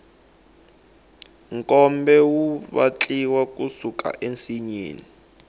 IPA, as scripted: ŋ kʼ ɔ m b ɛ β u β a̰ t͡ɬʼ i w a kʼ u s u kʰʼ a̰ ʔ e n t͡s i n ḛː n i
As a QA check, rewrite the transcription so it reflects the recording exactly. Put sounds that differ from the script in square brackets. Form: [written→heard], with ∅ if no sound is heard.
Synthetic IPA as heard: ŋ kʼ ɔ m b ɛ [β→w] u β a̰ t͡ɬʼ i w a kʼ u s u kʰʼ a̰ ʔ e n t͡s i [n→ɲ] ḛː n i